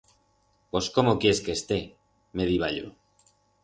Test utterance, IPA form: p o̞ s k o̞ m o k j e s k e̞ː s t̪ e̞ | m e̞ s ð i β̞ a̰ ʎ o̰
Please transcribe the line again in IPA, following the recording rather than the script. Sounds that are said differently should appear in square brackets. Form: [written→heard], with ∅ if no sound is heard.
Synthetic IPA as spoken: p o̞ s k o̞ m o k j e s k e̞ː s t̪ e̞ | m e̞ [s→∅] ð i β̞ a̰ ʎ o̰